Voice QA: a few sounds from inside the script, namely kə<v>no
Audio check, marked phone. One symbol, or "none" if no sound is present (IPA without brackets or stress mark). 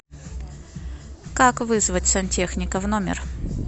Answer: v